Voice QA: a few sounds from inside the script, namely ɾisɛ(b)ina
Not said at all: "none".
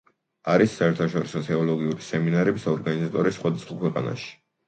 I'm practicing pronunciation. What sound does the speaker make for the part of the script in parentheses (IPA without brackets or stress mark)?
m